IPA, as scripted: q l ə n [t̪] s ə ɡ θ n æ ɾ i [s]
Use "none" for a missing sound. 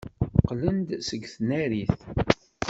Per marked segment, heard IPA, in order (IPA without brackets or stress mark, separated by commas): d̪, θ